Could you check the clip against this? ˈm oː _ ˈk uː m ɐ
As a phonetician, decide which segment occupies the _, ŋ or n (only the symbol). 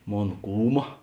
n